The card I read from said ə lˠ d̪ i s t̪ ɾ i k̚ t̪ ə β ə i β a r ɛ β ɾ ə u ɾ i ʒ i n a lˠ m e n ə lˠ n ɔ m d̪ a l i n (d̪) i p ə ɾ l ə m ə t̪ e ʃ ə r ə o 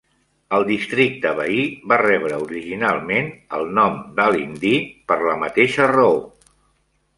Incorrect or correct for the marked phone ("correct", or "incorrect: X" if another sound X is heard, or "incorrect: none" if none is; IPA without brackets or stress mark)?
correct